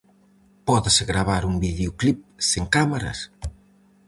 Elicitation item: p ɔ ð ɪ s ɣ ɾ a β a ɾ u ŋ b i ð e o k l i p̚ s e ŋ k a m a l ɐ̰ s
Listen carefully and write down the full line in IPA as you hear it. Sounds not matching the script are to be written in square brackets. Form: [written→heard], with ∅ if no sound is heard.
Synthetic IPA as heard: p ɔ ð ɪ s ɣ ɾ a β a ɾ u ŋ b i ð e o k l i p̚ s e ŋ k a m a [l→ɾ] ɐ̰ s